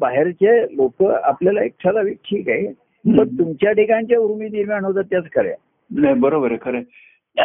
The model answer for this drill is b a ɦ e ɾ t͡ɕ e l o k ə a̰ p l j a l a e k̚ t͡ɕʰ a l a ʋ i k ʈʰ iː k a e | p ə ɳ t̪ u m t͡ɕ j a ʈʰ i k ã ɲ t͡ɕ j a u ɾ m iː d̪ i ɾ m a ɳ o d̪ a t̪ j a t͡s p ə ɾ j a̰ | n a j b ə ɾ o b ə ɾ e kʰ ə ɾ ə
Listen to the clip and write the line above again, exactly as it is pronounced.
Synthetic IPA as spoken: b a ɦ e ɾ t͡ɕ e l o k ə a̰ p l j a l a e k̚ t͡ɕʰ a l a ʋ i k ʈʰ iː k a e | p ə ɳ t̪ u m t͡ɕ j a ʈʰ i k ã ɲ t͡ɕ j a u ɾ m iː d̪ i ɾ m a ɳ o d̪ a t̪ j a t͡s k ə ɾ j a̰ | n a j b ə ɾ o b ə ɾ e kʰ ə ɾ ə